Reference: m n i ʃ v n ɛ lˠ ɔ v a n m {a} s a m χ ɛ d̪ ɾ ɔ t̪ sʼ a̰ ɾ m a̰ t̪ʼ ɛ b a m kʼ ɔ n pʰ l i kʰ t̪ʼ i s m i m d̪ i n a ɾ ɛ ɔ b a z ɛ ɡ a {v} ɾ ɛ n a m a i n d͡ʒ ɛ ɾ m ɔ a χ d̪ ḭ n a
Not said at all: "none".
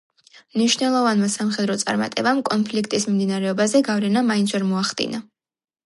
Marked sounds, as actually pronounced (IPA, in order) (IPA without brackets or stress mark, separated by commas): a, v